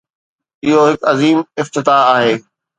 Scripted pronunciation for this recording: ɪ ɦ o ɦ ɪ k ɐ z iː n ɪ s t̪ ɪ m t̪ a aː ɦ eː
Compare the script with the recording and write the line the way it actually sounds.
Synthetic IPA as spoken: ɪ ɦ o ɦ ɪ k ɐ z iː m ɪ f t̪ ɪ t̪ a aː ɦ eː